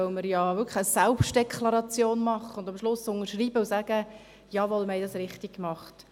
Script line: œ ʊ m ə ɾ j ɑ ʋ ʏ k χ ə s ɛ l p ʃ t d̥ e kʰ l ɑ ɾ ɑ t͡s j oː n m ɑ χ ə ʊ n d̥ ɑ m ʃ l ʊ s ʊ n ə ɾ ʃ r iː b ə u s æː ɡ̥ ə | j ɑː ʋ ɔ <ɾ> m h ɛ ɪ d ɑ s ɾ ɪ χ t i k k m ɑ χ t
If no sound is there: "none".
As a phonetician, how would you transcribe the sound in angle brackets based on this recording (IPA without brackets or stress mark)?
l